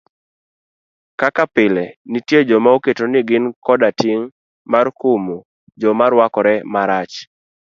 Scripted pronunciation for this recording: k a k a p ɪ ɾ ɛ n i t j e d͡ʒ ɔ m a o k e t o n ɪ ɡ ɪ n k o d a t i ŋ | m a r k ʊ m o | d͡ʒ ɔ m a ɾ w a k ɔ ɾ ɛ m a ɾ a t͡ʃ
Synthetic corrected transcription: k a k a p ɪ l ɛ n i t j e d͡ʒ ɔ m a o k e t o n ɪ ɡ ɪ n k ɔ d a t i ŋ | m a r k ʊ m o | d͡ʒ ɔ m a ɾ w a k ɔ ɾ ɛ m a ɾ a t͡ʃ